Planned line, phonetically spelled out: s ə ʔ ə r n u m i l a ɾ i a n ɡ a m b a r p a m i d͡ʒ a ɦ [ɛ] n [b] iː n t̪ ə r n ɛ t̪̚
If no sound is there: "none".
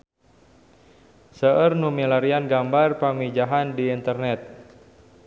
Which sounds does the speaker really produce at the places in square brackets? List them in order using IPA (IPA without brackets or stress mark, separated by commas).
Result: a, d